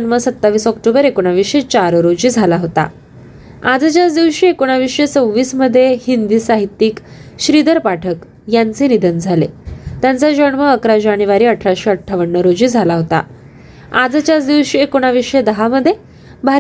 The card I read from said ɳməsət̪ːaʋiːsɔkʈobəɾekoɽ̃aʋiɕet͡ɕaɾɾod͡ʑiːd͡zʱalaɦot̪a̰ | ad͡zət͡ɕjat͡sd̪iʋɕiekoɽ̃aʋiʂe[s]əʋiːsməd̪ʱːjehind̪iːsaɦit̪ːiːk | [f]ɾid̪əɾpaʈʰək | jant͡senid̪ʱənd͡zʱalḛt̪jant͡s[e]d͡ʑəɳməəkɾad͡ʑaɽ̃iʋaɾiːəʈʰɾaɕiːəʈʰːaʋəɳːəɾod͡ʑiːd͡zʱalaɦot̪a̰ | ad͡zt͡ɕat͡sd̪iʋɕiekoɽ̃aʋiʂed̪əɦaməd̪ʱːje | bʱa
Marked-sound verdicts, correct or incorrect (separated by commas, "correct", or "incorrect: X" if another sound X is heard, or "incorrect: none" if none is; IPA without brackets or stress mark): incorrect: t͡s, incorrect: ɕ, incorrect: a